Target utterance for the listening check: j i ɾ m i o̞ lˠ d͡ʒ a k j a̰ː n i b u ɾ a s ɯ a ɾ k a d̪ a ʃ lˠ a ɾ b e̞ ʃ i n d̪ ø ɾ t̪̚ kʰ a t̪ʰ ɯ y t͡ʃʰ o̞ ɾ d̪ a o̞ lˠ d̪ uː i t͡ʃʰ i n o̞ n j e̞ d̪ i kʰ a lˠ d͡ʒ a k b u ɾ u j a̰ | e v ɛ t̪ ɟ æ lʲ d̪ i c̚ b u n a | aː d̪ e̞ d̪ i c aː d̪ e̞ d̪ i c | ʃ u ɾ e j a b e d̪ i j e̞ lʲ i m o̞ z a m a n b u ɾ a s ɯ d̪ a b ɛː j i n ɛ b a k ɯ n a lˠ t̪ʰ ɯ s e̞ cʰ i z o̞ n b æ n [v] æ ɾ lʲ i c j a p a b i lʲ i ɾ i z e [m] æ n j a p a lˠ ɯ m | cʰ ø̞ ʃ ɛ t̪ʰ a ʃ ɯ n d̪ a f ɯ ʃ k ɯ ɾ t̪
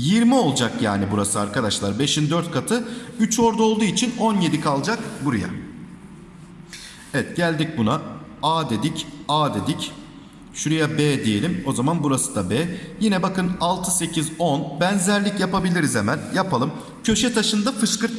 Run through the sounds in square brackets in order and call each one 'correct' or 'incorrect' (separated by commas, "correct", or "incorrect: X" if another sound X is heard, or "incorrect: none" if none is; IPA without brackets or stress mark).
incorrect: z, correct